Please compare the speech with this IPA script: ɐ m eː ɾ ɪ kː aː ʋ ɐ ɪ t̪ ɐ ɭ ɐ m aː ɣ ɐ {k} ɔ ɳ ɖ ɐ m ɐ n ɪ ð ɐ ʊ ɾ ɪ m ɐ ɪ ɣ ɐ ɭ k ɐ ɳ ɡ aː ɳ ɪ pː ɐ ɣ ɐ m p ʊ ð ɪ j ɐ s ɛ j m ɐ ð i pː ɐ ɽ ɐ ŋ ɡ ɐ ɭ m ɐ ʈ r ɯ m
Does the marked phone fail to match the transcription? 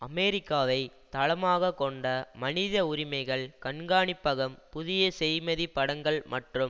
no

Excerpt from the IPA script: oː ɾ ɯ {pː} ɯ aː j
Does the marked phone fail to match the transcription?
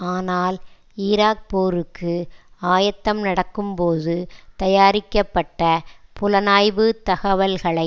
yes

